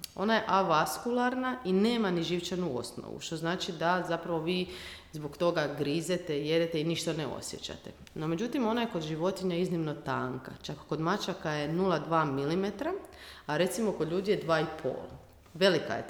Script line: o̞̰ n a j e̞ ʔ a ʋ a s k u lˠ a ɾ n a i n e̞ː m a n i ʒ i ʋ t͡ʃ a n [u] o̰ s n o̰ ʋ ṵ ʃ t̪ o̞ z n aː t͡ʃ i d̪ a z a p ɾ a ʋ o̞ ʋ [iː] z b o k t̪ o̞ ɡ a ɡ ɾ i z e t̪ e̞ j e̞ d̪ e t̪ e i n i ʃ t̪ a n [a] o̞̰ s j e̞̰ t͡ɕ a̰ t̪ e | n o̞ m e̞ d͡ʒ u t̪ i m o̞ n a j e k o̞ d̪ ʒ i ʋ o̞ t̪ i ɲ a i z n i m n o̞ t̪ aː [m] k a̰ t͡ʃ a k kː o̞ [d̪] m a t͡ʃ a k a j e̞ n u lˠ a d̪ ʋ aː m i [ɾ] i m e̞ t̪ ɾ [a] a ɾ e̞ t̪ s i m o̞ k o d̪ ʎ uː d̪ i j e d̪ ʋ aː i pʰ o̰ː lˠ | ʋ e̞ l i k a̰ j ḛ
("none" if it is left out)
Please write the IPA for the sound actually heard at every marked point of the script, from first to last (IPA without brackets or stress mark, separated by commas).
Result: u, iː, e, ŋ, d̪, l, a